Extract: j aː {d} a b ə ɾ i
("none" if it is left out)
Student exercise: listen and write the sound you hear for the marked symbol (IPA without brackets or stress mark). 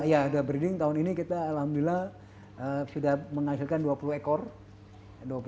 d